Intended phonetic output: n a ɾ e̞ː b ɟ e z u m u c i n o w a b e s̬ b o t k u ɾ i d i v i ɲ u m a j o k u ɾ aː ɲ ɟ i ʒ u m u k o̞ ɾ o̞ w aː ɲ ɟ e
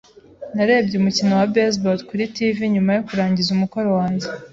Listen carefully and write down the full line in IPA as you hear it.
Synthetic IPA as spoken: n a ɾ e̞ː b ɟ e u m u c i n o w a b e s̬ b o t k u ɾ i t i v i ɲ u m a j o k u ɾ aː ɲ ɟ i z u m u k o̞ ɾ o̞ w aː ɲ ɟ e